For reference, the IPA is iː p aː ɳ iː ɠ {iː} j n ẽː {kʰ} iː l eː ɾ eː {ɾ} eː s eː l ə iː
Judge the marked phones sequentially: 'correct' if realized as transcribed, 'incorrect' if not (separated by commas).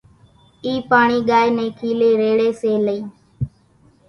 incorrect, correct, incorrect